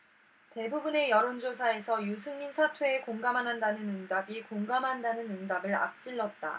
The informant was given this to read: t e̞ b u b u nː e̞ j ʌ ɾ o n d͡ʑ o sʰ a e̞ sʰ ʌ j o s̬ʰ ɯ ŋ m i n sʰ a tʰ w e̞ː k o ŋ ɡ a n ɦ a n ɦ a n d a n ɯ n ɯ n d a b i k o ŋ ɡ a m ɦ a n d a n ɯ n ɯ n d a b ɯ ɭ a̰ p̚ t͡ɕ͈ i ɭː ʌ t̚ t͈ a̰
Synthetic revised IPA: t e̞ b u b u n e̞ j ʌ ɾ o n d͡ʑ o sʰ a e̞ sʰ ʌ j u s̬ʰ ɯ ŋ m i n sʰ a tʰ w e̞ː k o ŋ ɡ a m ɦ a n ɦ a n d a n ɯ n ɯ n d a b i k o ŋ ɡ a m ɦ a n d a n ɯ n ɯ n d a b ɯ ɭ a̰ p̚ t͡ɕ͈ i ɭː ʌ t̚ t͈ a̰